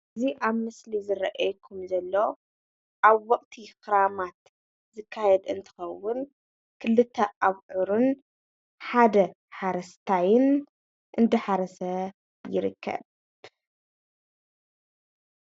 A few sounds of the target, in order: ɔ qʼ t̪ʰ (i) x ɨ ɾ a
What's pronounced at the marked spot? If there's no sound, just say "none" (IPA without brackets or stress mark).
i